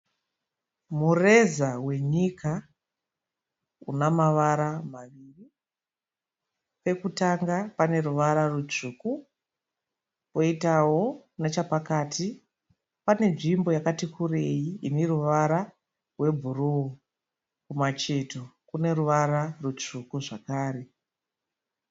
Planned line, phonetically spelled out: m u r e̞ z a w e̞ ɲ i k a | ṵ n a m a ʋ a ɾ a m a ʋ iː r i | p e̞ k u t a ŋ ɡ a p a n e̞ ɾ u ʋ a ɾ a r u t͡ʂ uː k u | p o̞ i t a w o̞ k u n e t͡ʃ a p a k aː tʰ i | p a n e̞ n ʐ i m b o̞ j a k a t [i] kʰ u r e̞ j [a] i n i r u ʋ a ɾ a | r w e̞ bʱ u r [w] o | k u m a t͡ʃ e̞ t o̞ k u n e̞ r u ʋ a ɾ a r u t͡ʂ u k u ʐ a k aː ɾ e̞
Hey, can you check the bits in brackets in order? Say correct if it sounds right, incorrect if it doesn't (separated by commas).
correct, incorrect, incorrect